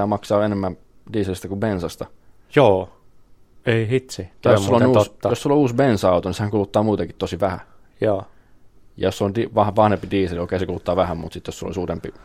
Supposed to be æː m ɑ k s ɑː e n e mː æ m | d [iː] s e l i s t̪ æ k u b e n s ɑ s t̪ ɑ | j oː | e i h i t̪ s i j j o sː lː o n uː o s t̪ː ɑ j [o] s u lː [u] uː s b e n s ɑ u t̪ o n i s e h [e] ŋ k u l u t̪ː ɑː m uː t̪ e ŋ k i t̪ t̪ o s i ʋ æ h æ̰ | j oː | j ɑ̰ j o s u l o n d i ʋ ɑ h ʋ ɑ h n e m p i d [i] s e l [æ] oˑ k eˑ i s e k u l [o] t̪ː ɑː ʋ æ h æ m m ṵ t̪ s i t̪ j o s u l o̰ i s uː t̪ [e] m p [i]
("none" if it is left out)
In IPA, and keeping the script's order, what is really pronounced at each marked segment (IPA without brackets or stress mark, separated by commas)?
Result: iː, o, o, æ, iː, i, u, e, i